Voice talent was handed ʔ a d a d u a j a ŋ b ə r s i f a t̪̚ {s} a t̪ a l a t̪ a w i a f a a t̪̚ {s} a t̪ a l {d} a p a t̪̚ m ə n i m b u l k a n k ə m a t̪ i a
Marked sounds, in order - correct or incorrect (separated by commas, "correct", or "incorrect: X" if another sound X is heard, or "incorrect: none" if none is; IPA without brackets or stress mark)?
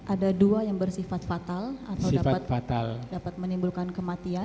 incorrect: f, incorrect: f, correct